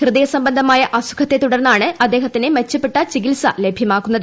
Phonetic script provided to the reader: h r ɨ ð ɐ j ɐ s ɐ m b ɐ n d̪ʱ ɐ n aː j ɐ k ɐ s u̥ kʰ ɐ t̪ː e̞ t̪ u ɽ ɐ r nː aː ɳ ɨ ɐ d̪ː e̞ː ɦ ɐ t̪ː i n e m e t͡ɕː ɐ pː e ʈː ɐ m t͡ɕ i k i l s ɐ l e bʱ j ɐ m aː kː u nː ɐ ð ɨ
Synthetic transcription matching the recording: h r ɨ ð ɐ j ɐ s ɐ m b ɐ n d̪ʱ ɐ m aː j ɐ ʔ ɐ s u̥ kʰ ɐ t̪ː e̞ t̪ u ɽ ɐ r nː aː ɳ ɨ ɐ d̪ː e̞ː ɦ ɐ t̪ː i n e m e t͡ɕː ɐ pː e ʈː ɐ t͡ɕ i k i l s ɐ l e bʱ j ɐ m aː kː u nː ɐ ð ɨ